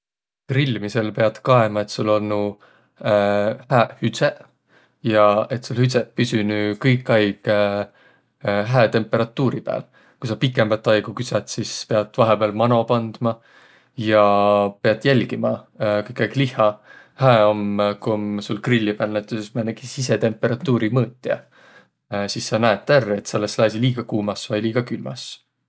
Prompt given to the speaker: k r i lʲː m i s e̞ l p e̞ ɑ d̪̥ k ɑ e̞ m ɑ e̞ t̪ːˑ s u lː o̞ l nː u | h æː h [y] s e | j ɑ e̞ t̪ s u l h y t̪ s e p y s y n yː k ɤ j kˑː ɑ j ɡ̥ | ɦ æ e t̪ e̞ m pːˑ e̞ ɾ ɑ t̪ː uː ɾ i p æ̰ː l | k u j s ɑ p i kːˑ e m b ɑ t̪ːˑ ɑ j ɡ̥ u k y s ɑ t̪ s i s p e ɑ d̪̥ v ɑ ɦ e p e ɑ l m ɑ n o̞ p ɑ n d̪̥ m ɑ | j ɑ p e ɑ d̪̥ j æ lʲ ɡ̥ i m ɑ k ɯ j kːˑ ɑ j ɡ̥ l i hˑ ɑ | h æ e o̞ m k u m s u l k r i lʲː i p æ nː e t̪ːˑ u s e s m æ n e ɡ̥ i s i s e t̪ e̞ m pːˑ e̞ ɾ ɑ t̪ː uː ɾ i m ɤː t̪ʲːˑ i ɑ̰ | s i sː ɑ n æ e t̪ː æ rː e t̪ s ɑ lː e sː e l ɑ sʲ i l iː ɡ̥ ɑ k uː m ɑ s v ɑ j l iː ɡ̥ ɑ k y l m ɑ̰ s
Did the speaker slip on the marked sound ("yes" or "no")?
no